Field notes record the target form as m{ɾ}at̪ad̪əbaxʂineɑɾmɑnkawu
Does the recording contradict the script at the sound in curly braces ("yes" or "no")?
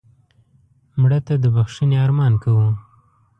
yes